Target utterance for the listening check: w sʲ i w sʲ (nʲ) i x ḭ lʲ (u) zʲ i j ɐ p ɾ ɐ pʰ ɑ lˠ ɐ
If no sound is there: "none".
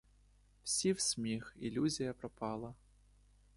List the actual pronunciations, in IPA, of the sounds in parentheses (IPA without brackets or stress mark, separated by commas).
mʲ, u